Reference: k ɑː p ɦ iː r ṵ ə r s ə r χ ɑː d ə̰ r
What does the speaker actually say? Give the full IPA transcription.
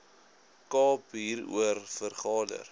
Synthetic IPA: k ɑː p ɦ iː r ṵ ə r f ə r χ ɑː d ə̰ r